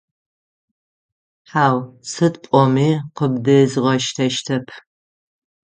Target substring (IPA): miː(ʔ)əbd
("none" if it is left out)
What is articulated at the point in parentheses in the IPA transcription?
q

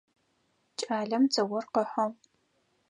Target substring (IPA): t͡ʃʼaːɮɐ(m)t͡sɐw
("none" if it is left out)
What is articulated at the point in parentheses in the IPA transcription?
m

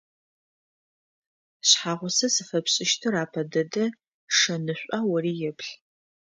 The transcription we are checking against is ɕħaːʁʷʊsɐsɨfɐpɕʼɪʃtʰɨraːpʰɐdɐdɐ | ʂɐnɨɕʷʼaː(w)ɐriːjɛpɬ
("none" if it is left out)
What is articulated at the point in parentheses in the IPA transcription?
w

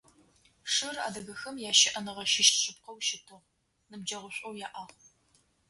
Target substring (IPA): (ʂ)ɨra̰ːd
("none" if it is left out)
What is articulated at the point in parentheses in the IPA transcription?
ʂ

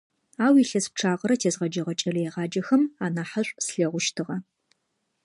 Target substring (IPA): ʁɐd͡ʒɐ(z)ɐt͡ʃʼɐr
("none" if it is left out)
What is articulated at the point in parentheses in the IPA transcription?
ʁ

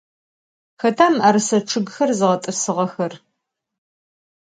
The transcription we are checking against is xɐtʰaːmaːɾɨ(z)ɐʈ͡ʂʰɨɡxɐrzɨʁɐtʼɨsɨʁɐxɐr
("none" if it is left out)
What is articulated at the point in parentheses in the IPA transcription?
s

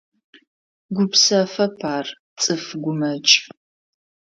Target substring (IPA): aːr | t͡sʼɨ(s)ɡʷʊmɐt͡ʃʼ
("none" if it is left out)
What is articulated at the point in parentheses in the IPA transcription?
f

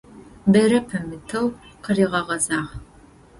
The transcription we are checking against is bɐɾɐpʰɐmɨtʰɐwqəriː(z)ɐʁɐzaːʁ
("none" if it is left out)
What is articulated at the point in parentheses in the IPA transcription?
ʁ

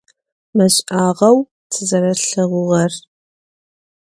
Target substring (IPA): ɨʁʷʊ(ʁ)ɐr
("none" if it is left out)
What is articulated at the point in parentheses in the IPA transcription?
ʁ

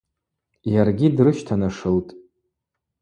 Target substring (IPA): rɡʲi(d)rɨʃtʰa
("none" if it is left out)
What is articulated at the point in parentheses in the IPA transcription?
d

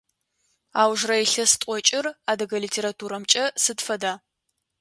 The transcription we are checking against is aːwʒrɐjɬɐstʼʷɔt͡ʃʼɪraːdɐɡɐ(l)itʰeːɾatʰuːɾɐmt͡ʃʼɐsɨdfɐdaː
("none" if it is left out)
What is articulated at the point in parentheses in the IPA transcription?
l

